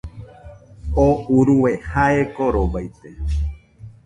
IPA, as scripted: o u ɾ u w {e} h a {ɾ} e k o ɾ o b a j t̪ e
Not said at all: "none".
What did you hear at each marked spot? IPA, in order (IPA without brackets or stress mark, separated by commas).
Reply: e, none